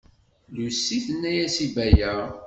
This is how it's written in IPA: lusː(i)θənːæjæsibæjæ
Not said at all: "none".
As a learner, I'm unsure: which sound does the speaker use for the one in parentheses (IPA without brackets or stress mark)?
i